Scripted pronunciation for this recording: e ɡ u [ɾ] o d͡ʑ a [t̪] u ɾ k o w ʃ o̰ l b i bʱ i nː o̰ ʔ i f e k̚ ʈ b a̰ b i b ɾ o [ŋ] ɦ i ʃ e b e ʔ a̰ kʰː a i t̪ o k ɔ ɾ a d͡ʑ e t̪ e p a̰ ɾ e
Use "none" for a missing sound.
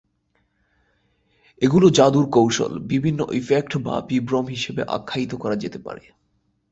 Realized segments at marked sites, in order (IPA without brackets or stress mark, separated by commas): l, d̪, m